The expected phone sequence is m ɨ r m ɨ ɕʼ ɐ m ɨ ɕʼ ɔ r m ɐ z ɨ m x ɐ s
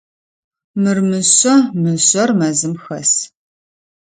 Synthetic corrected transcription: m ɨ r m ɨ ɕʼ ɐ m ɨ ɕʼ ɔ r m ɐ z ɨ m x ɐ s

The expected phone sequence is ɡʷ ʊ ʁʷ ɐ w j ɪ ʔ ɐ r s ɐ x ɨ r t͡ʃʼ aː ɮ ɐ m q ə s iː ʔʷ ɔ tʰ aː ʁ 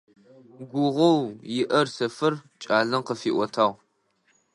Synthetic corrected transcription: ɡʷ ʊ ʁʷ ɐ w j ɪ ʔ ɐ r s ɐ f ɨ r t͡ʃʼ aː ɮ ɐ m q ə f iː ʔʷ ɔ tʰ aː ʁ

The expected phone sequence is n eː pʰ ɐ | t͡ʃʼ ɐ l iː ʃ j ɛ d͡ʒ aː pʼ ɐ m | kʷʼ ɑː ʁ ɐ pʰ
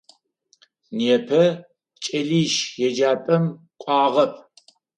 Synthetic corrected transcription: n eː pʰ ɐ | t͡ʃʼ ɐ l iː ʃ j ɛ d͡ʒ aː pʼ ɐ m | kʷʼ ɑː ʁ ɐ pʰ

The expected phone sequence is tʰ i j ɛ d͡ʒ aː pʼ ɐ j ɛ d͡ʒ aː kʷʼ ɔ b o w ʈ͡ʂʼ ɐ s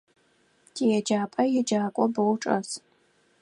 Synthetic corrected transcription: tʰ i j ɛ d͡ʒ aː pʼ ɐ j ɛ d͡ʒ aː kʷʼ ɔ b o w ʈ͡ʂʼ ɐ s

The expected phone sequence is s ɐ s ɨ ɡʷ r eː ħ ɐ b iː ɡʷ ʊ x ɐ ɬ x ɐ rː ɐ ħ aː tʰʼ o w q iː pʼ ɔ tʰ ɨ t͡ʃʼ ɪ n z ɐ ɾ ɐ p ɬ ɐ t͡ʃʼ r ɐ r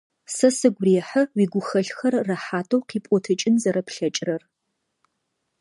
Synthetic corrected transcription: s ɐ s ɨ ɡʷ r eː ħ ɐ w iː ɡʷ ʊ x ɐ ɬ x ɐ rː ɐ ħ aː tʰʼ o w q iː pʼ ɔ tʰ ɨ t͡ʃʼ ɪ n z ɐ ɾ ɐ p ɬ ɐ t͡ʃʼ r ɐ r

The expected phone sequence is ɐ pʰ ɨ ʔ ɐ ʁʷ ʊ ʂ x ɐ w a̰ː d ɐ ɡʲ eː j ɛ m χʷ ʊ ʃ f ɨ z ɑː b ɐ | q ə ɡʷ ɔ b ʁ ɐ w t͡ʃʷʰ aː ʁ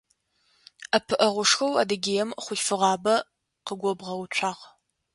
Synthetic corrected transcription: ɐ pʰ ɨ ʔ ɐ ʁʷ ʊ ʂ x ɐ w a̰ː d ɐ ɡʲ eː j ɛ m χʷ ʊ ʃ f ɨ ʁ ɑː b ɐ | q ə ɡʷ ɔ b ʁ ɐ w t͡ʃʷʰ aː ʁ

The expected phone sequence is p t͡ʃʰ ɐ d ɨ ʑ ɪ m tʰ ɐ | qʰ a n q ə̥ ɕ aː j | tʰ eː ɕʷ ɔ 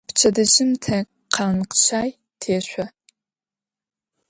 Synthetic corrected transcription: p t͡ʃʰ ɐ d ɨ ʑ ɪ m tʰ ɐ | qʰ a n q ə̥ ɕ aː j | tʰ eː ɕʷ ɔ

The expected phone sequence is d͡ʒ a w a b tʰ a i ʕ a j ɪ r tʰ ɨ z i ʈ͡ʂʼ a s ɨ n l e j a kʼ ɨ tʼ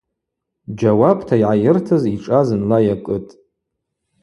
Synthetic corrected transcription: d͡ʒ a w a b tʰ a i ʕ a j ɪ r tʰ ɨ z i ʈ͡ʂʼ a z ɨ n l a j a kʼ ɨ tʼ

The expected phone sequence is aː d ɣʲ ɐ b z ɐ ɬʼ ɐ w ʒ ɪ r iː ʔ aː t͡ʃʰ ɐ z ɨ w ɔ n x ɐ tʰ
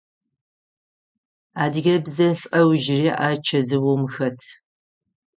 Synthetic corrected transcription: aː d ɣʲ ɐ b z ɐ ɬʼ ɐ w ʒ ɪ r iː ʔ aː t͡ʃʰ ɐ z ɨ w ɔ m x ɐ tʰ

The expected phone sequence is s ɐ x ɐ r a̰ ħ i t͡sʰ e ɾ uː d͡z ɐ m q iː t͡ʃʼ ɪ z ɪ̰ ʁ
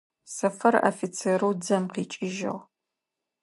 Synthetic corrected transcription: s ɐ f ɐ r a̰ f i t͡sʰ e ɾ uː d͡z ɐ m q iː t͡ʃʼ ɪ ʒ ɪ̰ ʁ

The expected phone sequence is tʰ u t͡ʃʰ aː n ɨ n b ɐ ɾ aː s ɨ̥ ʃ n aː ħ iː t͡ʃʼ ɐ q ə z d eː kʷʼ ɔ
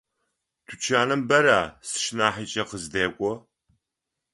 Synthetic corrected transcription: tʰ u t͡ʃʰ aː n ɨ m b ɐ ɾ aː s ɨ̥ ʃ n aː ħ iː t͡ʃʼ ɐ q ə z d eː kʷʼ ɔ

